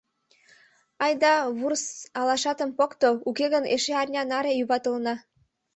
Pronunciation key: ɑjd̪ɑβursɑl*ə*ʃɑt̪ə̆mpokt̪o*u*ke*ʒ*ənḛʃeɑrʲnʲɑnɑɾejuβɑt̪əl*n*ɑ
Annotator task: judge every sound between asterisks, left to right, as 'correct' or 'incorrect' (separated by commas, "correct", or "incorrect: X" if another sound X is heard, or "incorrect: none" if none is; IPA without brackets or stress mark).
incorrect: ɑ, correct, incorrect: ɣ, correct